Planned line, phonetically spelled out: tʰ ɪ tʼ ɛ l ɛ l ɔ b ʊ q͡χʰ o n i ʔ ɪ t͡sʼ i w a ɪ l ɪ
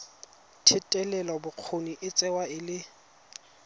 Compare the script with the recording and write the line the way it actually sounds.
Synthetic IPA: tʰ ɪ tʼ ɛ l ɛ l ɔ b ʊ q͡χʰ o n i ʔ ɪ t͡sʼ ɛ w a ɪ l ɪ